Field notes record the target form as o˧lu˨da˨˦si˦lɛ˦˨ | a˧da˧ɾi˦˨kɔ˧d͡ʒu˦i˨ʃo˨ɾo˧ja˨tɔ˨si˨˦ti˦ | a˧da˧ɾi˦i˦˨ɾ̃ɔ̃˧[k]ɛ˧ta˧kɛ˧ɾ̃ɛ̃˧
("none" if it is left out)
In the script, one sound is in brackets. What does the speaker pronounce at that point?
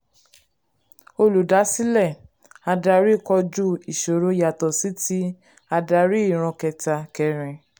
k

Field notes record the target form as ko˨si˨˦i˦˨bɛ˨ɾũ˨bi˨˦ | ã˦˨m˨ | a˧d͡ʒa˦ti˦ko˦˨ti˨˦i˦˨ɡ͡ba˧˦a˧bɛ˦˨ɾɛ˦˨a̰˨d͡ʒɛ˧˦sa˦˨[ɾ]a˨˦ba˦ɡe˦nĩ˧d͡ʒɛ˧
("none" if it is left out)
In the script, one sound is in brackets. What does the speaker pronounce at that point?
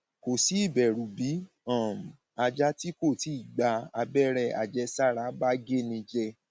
ɾ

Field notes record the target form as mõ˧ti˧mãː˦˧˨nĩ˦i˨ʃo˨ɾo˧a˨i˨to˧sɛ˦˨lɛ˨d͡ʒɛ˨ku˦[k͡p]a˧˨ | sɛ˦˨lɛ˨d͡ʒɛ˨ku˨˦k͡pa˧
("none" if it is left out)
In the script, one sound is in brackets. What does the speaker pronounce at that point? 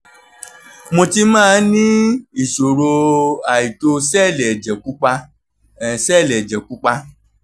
k͡p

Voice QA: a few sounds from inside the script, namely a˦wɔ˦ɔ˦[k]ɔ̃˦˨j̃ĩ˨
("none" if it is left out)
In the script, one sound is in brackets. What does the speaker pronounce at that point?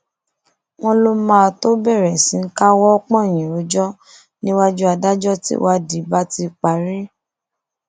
k͡p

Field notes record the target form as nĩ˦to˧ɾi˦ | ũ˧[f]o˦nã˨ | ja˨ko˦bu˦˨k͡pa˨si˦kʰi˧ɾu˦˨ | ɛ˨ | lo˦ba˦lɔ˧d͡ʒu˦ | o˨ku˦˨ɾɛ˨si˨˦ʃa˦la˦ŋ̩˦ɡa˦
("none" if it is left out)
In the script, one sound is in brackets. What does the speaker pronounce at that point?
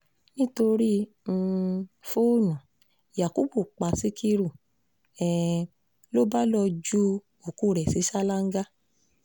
f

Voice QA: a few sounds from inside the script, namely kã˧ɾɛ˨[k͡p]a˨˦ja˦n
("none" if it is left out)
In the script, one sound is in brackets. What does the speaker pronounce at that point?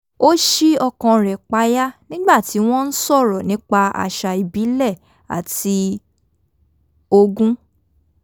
k͡p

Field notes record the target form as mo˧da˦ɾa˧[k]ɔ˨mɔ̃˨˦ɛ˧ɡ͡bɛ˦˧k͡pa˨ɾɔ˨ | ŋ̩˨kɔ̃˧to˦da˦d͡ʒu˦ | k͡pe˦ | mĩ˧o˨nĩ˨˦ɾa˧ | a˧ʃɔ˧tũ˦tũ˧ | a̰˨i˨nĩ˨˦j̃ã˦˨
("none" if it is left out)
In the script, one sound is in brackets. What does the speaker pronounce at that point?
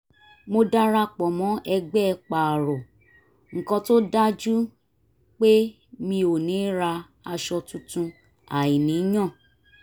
k͡p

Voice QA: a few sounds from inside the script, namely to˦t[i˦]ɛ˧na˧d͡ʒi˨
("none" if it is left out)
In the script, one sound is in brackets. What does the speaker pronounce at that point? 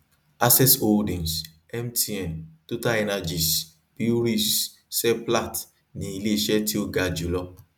a˦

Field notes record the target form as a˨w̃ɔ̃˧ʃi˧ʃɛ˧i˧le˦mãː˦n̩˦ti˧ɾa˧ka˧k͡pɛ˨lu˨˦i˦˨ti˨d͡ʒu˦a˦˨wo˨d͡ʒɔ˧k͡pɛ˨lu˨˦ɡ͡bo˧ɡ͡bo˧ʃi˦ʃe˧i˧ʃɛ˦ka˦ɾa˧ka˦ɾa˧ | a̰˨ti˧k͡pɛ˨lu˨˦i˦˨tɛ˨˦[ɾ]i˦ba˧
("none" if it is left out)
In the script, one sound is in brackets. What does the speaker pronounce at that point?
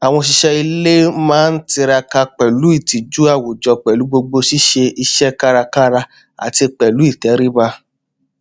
ɾ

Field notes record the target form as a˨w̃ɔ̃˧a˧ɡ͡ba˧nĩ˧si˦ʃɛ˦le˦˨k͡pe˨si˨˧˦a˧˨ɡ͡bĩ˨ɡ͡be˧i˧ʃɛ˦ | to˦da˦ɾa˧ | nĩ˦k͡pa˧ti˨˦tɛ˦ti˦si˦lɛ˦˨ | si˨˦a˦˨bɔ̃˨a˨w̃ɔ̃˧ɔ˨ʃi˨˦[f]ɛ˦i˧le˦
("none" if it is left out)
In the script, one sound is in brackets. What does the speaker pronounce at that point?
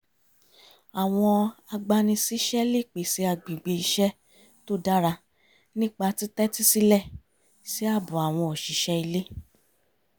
ʃ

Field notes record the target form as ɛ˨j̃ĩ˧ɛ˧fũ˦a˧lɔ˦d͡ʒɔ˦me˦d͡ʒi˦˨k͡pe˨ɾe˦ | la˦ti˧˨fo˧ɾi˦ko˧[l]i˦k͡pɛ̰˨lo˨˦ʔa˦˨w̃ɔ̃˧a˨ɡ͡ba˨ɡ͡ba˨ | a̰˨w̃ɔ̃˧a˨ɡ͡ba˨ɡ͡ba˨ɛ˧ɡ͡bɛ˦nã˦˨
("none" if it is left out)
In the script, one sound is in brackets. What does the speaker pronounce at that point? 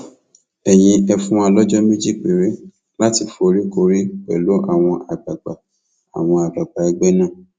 ɾ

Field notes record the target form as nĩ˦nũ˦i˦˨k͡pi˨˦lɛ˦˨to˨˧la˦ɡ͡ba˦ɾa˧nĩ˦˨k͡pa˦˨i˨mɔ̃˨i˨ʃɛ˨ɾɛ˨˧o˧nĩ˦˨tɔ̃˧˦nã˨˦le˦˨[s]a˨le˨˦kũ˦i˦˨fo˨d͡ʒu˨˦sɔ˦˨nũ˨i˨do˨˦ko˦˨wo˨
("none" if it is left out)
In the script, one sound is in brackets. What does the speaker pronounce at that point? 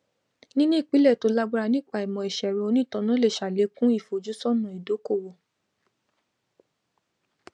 ʃ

